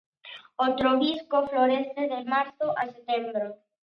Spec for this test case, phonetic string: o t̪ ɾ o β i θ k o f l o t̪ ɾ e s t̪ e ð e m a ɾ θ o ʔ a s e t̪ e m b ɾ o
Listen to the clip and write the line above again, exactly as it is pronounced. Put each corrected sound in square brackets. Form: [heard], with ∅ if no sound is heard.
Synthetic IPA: o t̪ ɾ o β i [s] k o f l o [∅] ɾ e s t̪ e ð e m a ɾ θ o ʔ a s e t̪ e m b ɾ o